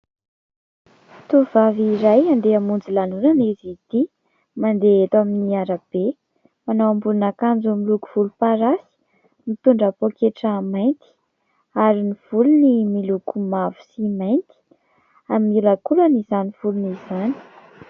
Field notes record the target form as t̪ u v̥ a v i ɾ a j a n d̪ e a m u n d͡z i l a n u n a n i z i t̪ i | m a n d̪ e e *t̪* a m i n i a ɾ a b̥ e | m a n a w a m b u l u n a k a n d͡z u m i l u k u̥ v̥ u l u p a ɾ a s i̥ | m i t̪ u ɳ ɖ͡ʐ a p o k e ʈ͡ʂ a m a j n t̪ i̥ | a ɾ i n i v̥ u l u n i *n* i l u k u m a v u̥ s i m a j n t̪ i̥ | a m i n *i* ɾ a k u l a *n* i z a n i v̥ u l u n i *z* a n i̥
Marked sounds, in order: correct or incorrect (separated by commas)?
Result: correct, incorrect, correct, correct, correct